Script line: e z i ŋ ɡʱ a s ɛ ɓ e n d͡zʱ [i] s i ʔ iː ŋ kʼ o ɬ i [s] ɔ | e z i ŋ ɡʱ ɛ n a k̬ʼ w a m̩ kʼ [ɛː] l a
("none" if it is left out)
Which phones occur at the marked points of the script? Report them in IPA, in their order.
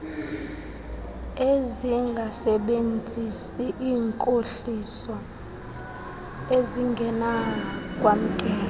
i, s, ɛː

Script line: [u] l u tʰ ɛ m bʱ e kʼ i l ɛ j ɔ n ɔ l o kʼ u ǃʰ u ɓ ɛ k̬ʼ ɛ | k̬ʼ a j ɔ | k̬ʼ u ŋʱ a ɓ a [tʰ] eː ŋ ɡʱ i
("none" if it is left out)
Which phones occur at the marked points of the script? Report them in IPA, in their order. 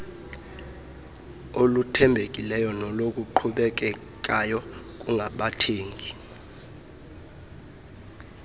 o, tʰ

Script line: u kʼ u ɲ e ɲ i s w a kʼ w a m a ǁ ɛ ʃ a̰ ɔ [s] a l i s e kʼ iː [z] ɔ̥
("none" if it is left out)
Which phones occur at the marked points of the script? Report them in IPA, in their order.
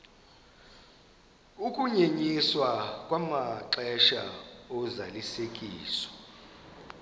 z, s

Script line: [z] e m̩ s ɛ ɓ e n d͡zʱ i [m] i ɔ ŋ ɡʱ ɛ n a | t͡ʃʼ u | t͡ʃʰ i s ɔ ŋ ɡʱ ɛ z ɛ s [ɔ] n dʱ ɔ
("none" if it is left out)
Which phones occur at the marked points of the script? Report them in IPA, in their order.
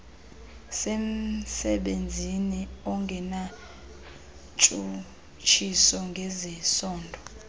s, n, ɔː

